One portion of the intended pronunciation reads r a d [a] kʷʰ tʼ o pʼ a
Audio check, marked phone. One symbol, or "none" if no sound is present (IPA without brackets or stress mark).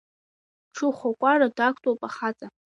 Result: a